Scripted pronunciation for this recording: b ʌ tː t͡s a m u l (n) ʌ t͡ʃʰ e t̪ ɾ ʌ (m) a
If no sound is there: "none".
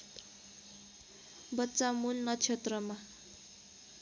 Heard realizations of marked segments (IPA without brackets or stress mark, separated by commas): n, m